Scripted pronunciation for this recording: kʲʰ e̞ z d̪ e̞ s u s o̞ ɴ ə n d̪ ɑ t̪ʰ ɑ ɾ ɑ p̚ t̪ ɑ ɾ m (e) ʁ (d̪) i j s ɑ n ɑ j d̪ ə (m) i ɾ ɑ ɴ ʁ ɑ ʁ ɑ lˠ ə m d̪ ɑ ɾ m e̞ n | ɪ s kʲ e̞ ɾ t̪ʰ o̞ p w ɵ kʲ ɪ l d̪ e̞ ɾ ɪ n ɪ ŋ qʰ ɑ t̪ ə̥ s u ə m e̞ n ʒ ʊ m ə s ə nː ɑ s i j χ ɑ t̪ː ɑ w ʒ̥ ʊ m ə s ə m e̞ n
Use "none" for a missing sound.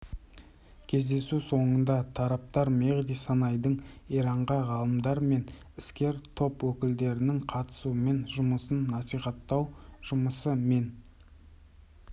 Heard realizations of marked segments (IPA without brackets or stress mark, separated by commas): e, d̪, ɴ